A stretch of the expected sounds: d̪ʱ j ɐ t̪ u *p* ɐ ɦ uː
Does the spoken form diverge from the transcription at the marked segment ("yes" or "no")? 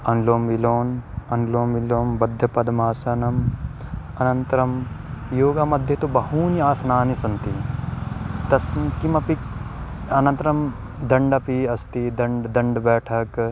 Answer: yes